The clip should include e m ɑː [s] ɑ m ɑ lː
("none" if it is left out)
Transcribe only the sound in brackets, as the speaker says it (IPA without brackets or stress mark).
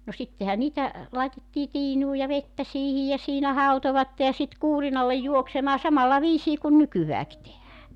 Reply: s